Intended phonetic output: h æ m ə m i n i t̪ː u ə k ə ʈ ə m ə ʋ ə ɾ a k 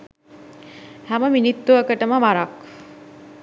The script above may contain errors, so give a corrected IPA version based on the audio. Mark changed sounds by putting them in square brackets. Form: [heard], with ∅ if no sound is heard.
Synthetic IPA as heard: h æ m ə m i n i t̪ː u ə k ə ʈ ə m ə ʋ [a] ɾ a k